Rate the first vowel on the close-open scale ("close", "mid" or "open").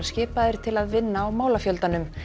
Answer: close